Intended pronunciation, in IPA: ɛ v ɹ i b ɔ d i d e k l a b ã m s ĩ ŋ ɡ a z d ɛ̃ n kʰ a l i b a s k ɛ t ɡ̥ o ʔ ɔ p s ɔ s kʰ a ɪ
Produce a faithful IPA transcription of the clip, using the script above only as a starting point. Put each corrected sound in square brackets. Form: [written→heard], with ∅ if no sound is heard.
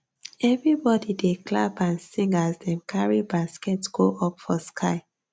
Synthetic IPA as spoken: ɛ v ɹ i b ɔ d i d e k l a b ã [m→n] s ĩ ŋ ɡ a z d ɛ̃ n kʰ a [l→ɹ] i b a s k ɛ t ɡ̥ o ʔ ɔ p [s→f] ɔ s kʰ a ɪ